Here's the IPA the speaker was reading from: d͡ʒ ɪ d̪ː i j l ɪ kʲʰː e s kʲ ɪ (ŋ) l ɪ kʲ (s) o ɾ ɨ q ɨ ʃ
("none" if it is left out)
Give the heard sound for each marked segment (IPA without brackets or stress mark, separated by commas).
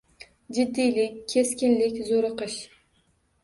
n, z